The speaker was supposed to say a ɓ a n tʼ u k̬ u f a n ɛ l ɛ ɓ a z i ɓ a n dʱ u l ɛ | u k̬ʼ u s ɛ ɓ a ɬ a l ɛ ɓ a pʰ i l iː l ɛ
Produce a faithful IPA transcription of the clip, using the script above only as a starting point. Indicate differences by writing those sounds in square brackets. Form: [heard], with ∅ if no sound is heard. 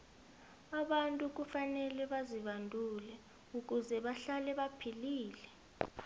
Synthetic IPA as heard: a ɓ a n tʼ u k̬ u f a n ɛ l ɛ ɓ a z i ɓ a n dʱ u l ɛ | u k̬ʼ u [z] ɛ ɓ a ɬ a l ɛ ɓ a pʰ i l iː l ɛ